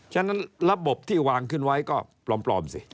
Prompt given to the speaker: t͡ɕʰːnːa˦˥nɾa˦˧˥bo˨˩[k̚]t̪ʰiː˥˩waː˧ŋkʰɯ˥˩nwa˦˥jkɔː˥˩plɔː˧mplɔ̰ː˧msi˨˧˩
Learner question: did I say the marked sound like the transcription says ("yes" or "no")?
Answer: no